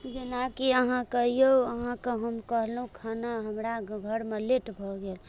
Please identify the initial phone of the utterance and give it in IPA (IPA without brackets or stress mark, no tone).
d͡ʒ